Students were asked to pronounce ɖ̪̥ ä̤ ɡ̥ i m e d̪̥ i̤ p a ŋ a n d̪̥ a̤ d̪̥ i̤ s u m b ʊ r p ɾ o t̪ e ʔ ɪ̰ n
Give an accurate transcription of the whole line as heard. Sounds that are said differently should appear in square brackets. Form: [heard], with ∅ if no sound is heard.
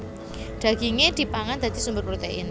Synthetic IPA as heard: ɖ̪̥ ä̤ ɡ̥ i [ŋ] e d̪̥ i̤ p a ŋ a n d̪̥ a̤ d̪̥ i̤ s u m b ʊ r p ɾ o t̪ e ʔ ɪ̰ n